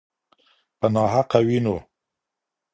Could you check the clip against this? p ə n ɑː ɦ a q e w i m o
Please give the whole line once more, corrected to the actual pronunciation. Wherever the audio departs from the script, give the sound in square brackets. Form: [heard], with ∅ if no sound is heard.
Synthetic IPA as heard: p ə n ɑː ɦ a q [a] w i [n] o